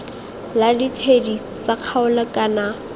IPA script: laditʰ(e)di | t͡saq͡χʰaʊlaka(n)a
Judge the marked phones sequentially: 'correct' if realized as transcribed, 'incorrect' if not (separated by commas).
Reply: correct, correct